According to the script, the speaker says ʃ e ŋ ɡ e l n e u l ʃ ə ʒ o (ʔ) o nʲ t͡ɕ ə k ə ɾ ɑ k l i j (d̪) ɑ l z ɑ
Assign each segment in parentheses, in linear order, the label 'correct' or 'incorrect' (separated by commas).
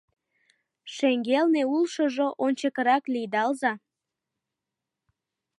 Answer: correct, correct